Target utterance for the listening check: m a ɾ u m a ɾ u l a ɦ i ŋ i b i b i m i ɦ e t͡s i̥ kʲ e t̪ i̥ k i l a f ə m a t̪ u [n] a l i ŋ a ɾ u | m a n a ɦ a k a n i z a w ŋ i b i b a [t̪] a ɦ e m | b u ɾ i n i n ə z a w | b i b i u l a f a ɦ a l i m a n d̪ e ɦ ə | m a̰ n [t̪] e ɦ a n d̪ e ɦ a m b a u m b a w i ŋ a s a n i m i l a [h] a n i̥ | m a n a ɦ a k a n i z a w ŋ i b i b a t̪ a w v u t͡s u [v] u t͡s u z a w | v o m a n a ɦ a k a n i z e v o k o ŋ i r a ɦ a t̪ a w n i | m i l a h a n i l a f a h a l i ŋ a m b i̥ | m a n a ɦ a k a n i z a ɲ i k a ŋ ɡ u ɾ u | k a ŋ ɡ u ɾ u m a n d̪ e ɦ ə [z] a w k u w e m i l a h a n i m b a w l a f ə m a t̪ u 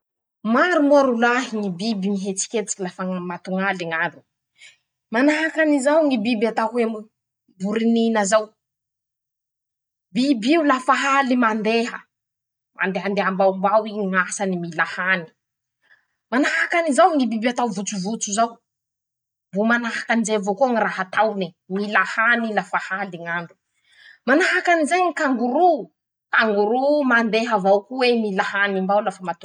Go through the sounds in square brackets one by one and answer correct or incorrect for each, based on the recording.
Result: incorrect: ŋ, correct, incorrect: d̪, correct, correct, incorrect: v

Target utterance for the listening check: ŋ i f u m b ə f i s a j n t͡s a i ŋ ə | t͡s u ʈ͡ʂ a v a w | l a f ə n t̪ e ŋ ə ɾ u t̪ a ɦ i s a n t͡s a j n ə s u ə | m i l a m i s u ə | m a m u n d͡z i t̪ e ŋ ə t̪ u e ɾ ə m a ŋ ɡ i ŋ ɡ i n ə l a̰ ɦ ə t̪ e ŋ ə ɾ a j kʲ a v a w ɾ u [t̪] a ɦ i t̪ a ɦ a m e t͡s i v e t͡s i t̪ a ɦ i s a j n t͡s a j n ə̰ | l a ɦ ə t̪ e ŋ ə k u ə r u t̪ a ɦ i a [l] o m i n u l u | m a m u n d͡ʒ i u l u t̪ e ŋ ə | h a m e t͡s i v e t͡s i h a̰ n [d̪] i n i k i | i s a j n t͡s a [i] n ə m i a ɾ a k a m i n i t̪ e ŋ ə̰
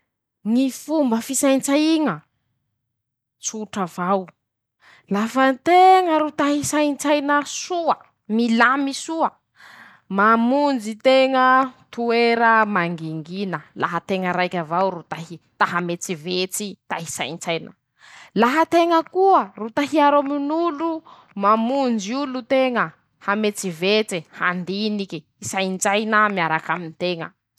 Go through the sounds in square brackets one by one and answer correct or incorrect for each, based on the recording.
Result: correct, incorrect: ɾ, correct, incorrect: j

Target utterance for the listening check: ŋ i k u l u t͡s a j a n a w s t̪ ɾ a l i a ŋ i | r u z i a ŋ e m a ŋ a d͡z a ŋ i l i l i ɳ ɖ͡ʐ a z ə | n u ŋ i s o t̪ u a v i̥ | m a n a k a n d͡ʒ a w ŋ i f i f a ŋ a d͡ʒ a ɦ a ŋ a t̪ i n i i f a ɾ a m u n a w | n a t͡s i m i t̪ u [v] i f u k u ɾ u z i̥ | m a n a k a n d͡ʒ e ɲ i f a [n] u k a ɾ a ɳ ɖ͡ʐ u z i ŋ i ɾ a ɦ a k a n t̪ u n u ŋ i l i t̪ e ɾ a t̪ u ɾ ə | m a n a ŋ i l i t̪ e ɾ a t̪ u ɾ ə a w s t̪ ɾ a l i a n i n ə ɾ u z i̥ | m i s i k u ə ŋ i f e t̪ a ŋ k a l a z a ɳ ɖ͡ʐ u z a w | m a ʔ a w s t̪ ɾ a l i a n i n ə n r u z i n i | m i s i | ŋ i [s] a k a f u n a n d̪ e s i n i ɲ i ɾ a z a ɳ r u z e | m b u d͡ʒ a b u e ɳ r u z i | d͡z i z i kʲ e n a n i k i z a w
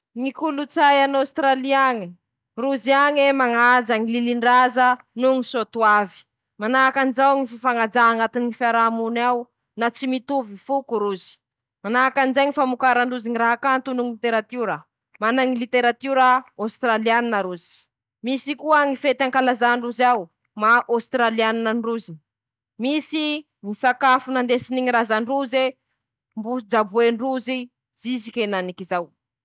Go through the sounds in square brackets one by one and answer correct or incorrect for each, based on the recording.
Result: correct, incorrect: m, correct

